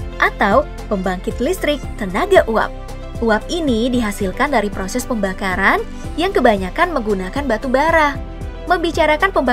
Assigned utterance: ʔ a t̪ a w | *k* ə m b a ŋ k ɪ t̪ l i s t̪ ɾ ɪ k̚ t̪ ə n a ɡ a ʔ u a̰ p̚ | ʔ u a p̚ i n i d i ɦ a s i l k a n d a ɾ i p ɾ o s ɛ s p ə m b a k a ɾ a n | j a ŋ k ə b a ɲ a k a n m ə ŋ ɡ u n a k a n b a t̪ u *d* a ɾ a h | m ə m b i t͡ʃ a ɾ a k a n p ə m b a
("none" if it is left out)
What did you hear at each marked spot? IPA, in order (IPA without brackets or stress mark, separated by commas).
p, b